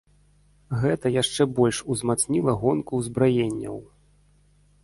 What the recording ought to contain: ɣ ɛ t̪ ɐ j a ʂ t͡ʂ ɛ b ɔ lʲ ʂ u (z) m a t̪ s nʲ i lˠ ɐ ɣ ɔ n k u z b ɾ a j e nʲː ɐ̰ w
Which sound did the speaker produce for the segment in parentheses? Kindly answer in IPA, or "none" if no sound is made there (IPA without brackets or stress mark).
z